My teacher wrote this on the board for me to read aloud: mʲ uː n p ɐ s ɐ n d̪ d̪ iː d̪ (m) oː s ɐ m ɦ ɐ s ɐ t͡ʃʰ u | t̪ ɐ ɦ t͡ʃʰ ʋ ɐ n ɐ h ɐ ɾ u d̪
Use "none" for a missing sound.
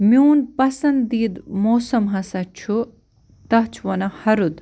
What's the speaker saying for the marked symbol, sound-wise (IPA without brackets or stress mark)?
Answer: m